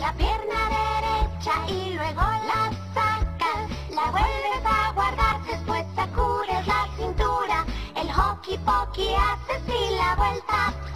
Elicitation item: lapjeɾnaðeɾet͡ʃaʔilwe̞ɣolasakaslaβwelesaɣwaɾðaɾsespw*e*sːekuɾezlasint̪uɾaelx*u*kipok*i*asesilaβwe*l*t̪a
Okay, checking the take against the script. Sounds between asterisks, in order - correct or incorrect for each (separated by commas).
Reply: correct, incorrect, correct, correct